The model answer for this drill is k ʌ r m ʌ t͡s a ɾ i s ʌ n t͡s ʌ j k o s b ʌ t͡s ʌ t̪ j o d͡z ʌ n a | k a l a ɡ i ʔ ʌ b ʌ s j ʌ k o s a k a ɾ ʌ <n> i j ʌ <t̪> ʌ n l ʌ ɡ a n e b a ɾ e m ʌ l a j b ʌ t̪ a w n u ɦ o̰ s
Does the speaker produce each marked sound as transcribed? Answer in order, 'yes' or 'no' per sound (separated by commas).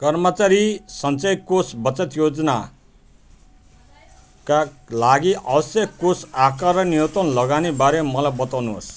yes, yes